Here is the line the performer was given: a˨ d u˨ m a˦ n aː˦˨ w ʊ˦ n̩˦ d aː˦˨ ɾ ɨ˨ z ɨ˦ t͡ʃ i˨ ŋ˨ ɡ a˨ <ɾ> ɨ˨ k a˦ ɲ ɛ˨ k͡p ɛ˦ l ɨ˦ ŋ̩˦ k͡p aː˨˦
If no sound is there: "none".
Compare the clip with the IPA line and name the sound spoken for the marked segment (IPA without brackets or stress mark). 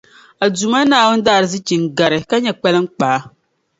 ɾ